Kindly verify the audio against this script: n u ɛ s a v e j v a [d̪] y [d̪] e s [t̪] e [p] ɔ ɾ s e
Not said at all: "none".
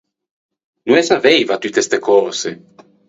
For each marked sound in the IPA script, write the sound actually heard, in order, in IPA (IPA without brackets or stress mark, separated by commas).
t̪, t̪, t̪, k